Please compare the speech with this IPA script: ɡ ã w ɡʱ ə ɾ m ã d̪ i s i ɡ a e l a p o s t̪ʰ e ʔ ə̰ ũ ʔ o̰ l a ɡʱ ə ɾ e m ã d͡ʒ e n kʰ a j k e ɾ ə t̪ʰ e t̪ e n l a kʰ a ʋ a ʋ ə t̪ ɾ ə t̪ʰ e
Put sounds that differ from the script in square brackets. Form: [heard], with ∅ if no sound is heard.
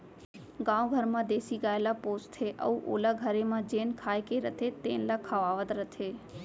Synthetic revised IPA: ɡ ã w ɡʱ ə ɾ m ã d̪ [e] s i ɡ a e l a p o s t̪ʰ e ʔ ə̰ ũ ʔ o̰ l a ɡʱ ə ɾ e m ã d͡ʒ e n kʰ a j k e ɾ ə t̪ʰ e t̪ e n l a kʰ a ʋ a ʋ ə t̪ ɾ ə t̪ʰ e